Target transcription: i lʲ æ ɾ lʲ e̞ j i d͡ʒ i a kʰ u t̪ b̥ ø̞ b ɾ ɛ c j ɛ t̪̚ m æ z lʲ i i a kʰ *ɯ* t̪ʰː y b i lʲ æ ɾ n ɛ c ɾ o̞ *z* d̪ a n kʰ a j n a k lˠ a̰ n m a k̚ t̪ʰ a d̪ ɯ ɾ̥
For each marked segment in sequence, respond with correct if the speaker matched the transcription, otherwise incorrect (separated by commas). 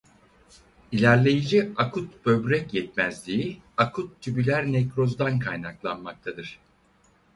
incorrect, correct